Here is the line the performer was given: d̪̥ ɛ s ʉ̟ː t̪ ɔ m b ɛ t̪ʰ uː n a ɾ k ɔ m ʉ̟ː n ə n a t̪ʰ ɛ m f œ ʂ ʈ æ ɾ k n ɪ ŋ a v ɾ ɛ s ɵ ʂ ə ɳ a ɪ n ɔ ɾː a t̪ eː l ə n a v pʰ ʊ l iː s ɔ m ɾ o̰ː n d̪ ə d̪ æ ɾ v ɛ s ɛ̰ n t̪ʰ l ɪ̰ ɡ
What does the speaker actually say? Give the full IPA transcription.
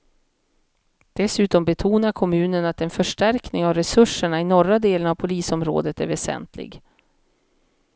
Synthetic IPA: d̪̥ ɛ s ʉ̟ː t̪ ɔ m b ɛ t̪ʰ uː n a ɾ kʰ ɔ m ʉ̟ː n ə n a t̪ ɛ n f œ ʂ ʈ æ ɾ k n ɪ ŋ a v ɾ ɛ s ɵ ʂ ə ɳ a ɪ n ɔ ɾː a d̪ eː l ə n a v pʰ ʊ l iː s ɔ m ɾ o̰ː d̪ ə t̪ æ ɾ v ɛ s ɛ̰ n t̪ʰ l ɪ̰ ɡ